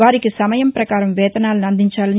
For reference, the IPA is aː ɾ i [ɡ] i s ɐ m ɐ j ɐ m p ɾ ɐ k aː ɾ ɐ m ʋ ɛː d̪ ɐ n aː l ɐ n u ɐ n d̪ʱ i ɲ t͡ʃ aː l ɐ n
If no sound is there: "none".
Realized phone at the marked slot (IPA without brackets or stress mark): k